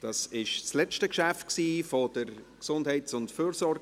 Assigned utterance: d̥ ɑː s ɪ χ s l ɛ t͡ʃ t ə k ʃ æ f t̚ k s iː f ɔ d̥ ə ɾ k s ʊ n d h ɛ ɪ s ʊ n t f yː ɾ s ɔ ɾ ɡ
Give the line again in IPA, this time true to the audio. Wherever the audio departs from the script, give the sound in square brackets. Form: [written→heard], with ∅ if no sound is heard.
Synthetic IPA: d̥ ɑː s ɪ [χ→ʃ] s l ɛ t͡ʃ t ə k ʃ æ f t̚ k s iː f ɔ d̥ ə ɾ k s ʊ n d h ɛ ɪ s ʊ n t f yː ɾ s ɔ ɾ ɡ